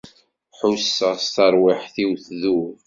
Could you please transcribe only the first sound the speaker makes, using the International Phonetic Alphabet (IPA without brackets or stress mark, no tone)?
ħ